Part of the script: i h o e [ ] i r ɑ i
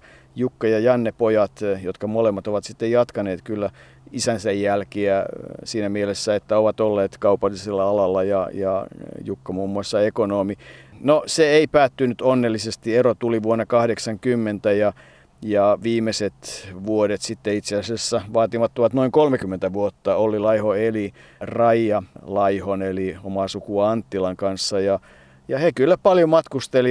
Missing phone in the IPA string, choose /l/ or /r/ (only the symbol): l